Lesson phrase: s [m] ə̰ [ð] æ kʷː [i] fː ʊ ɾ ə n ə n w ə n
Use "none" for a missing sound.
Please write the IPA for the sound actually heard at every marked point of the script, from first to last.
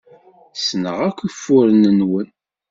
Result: n, ʁ, i

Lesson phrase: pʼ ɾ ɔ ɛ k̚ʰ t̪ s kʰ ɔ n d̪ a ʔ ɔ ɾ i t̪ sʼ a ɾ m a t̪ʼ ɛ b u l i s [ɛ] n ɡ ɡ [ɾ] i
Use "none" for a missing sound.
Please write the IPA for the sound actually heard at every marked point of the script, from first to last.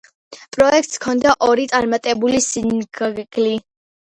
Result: i, l

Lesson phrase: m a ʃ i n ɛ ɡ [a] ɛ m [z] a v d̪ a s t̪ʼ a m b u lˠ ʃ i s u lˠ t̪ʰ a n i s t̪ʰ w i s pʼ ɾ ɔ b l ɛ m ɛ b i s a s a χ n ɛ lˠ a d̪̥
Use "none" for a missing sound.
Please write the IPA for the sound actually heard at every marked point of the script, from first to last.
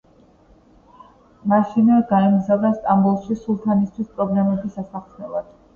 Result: a, z

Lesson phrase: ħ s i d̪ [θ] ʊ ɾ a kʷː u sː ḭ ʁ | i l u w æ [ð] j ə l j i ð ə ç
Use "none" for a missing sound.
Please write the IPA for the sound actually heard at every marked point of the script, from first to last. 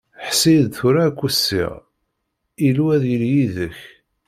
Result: θ, ð

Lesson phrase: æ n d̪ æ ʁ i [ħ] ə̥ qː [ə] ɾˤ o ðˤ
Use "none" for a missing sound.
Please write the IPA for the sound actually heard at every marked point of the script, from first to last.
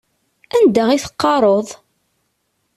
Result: θ, ɑ

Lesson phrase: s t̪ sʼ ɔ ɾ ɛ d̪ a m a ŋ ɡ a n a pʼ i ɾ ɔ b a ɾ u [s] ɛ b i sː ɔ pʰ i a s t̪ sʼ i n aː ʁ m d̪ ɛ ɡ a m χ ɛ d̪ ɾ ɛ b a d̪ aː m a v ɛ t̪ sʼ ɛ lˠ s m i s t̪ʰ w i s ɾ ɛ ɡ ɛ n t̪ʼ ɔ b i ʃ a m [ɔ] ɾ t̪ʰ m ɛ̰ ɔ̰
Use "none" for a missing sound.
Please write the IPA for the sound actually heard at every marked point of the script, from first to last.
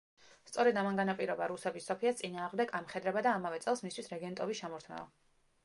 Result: s, ɔ

